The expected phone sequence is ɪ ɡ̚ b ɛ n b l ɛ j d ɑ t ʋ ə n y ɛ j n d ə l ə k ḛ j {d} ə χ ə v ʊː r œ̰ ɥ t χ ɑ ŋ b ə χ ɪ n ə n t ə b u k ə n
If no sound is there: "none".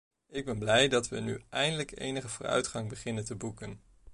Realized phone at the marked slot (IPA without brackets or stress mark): n